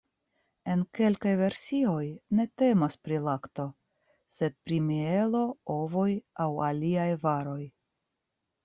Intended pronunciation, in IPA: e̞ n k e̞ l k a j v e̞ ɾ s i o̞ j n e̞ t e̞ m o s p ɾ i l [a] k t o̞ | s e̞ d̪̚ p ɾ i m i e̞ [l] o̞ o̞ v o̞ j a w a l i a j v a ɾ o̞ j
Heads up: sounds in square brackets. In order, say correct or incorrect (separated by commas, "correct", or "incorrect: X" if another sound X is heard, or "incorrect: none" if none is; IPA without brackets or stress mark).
correct, correct